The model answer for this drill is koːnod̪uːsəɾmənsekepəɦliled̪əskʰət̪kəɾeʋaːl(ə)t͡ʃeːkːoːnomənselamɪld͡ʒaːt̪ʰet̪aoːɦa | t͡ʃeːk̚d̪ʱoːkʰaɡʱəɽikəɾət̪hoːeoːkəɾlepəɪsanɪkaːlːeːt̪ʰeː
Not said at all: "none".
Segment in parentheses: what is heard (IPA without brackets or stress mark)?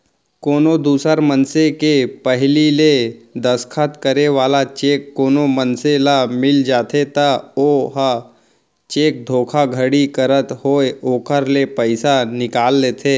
a